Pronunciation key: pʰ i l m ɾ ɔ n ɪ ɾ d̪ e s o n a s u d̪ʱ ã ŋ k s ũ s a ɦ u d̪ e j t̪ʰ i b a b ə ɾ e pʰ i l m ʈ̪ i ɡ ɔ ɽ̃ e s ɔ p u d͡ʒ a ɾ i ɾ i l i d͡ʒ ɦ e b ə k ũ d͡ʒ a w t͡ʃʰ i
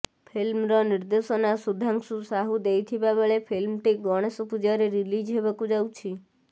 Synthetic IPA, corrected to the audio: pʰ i l m ɾ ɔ n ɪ ɾ d̪ e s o n a s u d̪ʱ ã ŋ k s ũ s a ɦ u d̪ e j t̪ʰ i b a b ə ɭ e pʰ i l m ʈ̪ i ɡ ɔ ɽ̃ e s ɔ p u d͡ʒ a ɾ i ɾ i l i d͡ʒ ɦ e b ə k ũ d͡ʒ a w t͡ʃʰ i